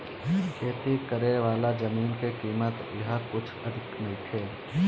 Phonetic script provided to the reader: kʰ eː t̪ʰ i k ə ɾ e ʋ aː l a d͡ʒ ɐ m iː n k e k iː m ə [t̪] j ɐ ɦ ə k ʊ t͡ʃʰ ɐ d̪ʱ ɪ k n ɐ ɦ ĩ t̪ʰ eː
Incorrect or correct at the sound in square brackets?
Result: correct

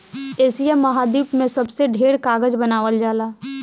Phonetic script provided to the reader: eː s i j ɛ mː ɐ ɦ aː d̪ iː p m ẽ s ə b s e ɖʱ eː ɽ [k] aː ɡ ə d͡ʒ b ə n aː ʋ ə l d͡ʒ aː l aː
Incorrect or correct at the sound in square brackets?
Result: correct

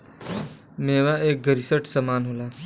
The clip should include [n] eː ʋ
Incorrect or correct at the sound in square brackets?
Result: incorrect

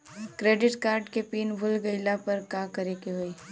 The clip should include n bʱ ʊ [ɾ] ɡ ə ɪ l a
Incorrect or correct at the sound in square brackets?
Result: incorrect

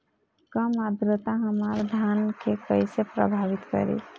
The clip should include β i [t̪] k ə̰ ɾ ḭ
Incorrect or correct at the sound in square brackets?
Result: correct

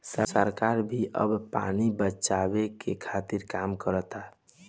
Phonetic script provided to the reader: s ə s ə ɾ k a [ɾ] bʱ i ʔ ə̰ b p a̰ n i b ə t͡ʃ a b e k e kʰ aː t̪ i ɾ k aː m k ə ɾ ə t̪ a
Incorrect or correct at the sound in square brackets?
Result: correct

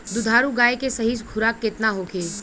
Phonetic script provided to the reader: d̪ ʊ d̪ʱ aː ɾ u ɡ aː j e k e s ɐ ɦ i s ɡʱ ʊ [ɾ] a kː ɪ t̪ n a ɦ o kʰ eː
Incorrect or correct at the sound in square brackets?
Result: correct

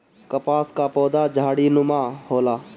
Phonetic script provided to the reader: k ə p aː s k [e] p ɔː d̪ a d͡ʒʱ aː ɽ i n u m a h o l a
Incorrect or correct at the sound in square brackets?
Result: incorrect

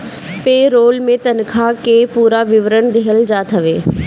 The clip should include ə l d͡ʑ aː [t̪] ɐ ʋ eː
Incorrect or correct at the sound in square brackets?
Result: incorrect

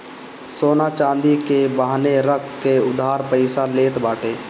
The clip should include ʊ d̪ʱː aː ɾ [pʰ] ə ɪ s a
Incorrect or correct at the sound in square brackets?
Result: incorrect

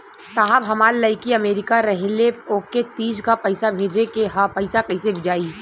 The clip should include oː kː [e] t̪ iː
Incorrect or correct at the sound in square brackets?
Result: correct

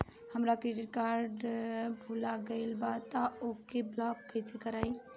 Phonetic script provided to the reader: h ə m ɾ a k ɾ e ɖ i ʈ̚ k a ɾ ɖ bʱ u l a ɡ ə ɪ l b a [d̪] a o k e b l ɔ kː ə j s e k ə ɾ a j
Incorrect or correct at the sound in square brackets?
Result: incorrect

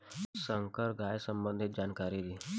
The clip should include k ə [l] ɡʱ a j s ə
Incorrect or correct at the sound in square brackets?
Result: incorrect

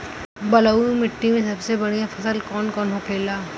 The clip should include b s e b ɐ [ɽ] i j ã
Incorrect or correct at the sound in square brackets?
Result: correct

